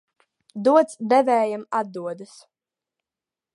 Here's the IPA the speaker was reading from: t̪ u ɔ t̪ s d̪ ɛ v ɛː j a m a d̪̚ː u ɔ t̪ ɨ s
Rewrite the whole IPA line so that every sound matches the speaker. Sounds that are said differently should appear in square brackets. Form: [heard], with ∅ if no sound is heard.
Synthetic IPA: [d̪] u ɔ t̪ s d̪ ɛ v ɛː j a m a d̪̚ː u ɔ [d̪] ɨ s